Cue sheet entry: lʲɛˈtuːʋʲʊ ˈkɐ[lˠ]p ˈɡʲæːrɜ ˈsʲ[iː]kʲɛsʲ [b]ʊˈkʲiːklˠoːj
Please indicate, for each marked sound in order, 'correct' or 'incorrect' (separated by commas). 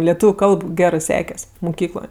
correct, incorrect, incorrect